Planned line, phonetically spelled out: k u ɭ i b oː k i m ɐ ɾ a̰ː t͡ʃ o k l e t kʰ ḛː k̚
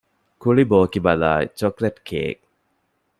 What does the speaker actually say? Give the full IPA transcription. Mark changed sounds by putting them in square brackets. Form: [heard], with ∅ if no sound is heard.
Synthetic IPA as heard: k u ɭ i b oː k i [b] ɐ [l] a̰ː t͡ʃ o k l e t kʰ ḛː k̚